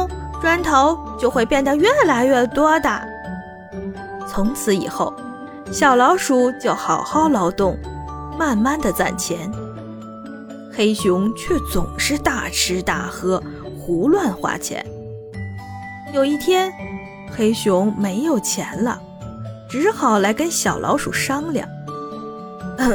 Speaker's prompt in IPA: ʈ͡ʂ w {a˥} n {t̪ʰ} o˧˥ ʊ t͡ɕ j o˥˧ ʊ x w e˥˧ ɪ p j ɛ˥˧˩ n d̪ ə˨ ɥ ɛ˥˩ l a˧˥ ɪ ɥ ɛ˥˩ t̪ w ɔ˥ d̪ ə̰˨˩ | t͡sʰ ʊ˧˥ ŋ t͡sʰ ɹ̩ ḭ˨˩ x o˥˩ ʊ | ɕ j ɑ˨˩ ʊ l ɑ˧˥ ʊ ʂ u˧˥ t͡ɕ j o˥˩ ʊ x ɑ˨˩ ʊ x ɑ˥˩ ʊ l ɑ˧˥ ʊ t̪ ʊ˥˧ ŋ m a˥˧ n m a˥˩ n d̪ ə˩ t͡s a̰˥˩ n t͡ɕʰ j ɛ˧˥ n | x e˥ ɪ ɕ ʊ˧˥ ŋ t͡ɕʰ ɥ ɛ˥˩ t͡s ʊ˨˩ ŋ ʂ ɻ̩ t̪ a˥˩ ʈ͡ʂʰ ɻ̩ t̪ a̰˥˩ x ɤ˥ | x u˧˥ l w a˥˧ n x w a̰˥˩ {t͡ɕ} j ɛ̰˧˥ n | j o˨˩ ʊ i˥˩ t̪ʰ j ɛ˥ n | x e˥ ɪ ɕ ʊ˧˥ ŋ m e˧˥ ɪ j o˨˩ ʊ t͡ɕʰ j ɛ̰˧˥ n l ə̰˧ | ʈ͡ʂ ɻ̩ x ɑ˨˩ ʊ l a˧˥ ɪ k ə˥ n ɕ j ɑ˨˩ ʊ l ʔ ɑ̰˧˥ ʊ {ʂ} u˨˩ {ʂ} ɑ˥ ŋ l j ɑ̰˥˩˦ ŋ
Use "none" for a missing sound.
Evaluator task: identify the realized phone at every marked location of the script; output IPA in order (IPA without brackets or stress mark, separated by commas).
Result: a˥, t̪ʰ, t͡ɕʰ, ʂ, ʂ